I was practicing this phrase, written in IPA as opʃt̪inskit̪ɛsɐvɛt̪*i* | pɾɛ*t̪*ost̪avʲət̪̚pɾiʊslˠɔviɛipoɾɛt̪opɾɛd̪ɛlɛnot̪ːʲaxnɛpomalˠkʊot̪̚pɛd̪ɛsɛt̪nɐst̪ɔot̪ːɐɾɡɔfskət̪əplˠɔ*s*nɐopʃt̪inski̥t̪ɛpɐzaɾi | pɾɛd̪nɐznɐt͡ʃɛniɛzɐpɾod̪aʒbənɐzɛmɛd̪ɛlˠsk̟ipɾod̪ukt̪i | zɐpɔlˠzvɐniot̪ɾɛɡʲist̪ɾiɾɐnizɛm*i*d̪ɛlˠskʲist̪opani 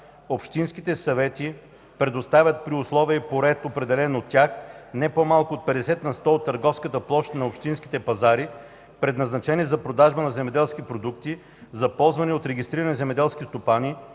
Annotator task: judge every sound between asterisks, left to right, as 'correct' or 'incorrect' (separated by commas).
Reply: correct, incorrect, incorrect, incorrect